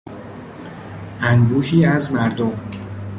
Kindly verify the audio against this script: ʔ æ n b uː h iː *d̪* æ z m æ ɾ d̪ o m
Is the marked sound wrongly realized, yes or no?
yes